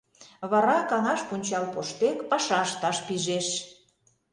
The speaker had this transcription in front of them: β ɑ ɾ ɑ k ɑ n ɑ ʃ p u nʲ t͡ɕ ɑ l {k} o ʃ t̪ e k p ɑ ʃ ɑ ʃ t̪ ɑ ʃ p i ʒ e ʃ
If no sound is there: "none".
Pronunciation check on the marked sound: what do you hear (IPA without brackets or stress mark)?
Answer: p